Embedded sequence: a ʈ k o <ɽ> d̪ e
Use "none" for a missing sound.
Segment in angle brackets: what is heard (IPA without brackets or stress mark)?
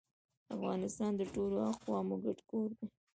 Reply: ɾ